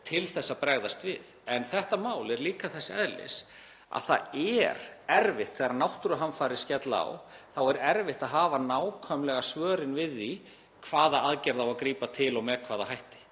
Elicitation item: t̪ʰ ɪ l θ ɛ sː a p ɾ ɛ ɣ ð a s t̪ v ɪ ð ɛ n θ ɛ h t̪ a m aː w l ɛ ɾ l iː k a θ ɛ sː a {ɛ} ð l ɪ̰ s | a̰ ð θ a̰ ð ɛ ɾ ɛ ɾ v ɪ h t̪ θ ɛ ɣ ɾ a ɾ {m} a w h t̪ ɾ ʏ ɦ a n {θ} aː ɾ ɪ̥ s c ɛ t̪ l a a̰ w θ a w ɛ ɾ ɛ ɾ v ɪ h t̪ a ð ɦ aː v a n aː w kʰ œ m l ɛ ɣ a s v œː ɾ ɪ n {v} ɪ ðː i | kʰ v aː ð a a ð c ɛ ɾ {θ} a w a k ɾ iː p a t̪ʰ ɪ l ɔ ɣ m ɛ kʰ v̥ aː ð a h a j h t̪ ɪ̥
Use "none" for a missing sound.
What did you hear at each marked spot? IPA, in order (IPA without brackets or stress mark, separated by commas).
ɛ, n, f, v, ð